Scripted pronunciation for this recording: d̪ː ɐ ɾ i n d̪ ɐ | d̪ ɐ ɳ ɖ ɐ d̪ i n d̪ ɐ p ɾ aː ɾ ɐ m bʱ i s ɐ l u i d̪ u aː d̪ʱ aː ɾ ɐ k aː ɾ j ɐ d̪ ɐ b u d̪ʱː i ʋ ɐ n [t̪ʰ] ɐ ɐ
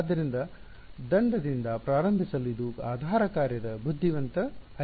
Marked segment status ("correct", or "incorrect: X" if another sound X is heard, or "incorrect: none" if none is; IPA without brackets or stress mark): incorrect: t̪